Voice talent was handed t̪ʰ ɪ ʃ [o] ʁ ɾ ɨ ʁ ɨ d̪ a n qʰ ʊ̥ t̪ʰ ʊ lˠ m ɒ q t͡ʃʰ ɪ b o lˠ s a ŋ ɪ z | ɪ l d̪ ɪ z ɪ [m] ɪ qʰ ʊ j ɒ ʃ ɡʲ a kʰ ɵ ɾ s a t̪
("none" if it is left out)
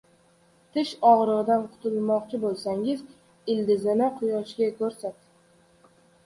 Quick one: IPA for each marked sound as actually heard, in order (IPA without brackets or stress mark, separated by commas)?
ɒ, n